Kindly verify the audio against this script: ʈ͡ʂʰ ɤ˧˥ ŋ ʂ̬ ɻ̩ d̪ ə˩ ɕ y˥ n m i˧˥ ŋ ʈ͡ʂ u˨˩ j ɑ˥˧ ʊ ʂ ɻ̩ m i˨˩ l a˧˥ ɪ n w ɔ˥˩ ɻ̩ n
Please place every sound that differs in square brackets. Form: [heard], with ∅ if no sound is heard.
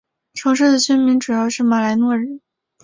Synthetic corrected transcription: ʈ͡ʂʰ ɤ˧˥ ŋ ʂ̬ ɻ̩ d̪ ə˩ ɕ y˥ n m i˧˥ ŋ ʈ͡ʂ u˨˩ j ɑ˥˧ ʊ ʂ ɻ̩ m [a˨˩] l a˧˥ ɪ n w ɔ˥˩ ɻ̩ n